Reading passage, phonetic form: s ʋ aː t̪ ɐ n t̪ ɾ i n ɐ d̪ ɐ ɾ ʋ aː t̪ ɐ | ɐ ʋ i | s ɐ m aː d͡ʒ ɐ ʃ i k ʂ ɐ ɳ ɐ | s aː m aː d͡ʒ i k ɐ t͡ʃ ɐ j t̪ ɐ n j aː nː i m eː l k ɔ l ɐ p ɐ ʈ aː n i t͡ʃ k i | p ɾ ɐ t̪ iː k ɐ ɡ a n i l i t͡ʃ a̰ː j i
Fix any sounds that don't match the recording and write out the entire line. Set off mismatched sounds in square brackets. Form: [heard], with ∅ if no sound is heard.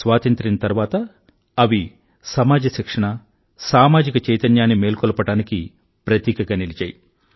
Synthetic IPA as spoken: s ʋ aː t̪ ɐ n t̪ ɾ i n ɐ [t̪] ɐ ɾ ʋ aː t̪ ɐ | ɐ ʋ i | s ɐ m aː d͡ʒ ɐ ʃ i k ʂ ɐ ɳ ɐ | s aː m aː d͡ʒ i k ɐ t͡ʃ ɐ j t̪ ɐ n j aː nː i m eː l k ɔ l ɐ p ɐ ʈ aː n i [∅] k i | p ɾ ɐ t̪ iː k ɐ ɡ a n i l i t͡ʃ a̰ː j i